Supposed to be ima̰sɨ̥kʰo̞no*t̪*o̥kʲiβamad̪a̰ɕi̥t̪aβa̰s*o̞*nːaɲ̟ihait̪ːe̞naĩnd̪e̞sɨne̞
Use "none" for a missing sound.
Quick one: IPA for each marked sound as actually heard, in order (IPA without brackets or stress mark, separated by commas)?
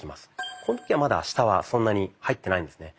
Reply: t̪, õ̞